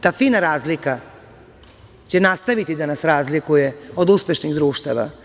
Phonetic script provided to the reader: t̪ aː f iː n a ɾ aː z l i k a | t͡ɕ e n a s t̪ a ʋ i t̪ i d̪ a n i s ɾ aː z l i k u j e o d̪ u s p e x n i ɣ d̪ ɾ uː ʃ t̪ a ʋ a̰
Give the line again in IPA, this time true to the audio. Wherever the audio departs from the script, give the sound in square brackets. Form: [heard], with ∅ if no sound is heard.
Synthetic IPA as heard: t̪ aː f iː n a ɾ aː z l i k a | t͡ɕ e n a s t̪ a ʋ i t̪ i d̪ a n [a] s ɾ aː z l i k u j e o d̪ u s p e [ʃ] n i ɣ d̪ ɾ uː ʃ t̪ a ʋ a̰